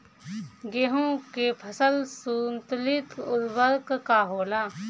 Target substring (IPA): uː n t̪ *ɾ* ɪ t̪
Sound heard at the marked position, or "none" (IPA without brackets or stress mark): l